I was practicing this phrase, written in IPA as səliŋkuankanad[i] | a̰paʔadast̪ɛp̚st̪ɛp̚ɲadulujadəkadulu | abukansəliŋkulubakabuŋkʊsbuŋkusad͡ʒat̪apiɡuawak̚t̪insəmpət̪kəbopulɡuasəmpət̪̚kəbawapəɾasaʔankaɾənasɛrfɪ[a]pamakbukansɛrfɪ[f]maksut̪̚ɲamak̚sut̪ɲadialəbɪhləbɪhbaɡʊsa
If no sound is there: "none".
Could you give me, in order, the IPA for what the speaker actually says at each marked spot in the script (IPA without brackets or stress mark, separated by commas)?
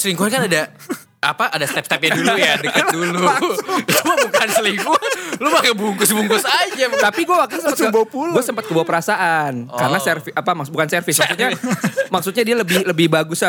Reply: a, a, s